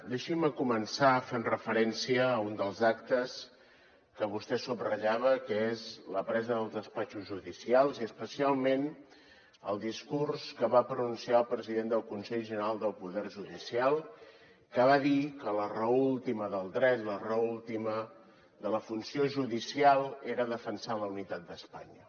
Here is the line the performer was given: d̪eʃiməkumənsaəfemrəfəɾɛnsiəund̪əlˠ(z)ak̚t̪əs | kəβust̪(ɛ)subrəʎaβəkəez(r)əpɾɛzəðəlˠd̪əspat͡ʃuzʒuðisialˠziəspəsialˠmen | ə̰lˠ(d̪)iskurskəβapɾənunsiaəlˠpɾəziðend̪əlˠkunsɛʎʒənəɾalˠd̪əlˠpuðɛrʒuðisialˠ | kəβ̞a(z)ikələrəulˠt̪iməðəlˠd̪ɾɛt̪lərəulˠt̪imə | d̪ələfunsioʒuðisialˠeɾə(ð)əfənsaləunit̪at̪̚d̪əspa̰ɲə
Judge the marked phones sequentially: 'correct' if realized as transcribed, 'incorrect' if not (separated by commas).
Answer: correct, correct, incorrect, correct, incorrect, correct